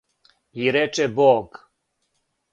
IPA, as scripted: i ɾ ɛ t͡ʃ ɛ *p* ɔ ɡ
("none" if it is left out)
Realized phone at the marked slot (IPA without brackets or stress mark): b